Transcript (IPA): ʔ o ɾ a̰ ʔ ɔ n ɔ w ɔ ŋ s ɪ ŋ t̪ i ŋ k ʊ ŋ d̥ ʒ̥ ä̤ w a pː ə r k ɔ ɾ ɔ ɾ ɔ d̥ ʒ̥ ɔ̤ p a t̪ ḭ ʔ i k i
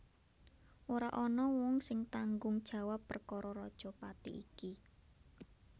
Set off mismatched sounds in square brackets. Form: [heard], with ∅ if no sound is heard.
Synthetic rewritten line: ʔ o ɾ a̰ ʔ ɔ n ɔ w ɔ ŋ s ɪ ŋ t̪ [a] ŋ [ɡ] ʊ ŋ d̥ ʒ̥ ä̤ w a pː ə r k ɔ ɾ ɔ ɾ ɔ d̥ ʒ̥ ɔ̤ p a t̪ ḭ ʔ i k i